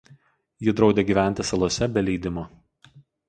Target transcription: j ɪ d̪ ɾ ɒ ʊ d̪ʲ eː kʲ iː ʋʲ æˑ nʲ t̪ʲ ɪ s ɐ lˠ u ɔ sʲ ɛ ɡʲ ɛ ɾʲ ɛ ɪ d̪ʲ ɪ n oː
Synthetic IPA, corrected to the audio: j ɪ d̪ ɾ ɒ ʊ d̪ʲ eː ɡʲ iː ʋʲ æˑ nʲ t̪ʲ ɪ s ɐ lˠ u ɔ sʲ ɛ bʲ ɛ lʲ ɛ ɪ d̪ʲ ɪ m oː